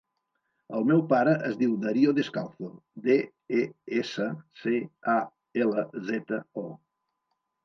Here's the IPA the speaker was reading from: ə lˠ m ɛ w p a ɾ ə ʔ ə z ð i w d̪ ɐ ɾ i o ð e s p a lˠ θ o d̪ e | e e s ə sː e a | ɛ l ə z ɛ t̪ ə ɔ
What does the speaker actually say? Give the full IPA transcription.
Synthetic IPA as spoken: ə lˠ m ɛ w p a ɾ ə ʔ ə z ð i w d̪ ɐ ɾ i o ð e s k a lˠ θ o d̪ e | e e s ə s e a | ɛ l ə z ɛ t̪ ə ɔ